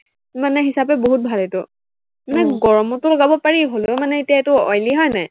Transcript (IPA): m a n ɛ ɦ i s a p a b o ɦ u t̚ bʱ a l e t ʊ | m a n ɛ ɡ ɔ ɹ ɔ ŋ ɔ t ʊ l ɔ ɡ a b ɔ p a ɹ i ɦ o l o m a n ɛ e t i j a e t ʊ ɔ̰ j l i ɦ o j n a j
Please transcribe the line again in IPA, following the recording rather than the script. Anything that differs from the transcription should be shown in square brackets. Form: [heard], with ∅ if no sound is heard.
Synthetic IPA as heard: m a n ɛ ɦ i s a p [ɛ] b o ɦ u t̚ bʱ a l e t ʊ | m a n ɛ ɡ ɔ ɹ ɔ [m] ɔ t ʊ l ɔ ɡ a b ɔ p a ɹ i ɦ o l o m a n ɛ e t i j a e t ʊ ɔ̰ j l i ɦ [ɔ] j n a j